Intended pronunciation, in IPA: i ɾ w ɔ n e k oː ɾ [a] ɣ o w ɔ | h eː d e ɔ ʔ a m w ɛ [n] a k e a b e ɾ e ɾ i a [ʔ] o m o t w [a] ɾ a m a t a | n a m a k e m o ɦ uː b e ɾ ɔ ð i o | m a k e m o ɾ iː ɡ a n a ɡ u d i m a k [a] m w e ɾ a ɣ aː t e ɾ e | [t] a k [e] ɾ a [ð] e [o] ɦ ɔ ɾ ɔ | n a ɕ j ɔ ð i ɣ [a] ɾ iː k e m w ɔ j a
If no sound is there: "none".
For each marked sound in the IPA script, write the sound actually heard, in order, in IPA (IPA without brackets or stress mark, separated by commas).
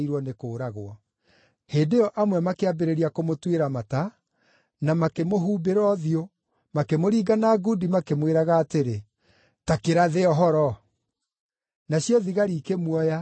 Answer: a, m, k, e, e, t, e, ð, ɔ, a